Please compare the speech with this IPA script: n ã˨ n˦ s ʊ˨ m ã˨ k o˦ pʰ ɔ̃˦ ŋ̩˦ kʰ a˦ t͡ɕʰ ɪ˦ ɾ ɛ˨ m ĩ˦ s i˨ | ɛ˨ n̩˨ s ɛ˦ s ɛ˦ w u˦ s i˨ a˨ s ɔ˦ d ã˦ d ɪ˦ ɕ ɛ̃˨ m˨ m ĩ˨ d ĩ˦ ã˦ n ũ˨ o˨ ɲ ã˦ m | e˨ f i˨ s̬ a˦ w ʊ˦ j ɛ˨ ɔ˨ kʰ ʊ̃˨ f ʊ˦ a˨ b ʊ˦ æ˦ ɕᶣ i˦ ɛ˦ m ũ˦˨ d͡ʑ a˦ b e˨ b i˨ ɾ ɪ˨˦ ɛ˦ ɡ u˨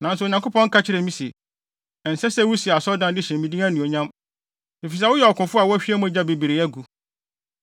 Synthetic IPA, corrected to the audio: n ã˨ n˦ s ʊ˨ ɲ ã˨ k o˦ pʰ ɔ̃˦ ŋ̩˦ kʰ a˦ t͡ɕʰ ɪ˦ ɾ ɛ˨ m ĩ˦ s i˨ | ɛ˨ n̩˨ s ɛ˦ s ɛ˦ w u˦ s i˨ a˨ s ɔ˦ d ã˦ d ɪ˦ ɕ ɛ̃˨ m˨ m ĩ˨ d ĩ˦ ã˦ n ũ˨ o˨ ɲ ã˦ m | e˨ f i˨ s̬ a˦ w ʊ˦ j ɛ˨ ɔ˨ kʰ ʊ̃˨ f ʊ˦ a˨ w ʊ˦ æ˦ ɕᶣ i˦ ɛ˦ m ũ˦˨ d͡ʑ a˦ b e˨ b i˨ ɾ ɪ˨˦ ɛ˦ ɡ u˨